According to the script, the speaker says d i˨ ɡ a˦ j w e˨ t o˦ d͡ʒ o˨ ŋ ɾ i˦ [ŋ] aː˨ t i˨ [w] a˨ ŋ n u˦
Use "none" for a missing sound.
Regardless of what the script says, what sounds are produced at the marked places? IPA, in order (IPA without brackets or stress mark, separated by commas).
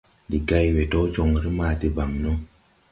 m, b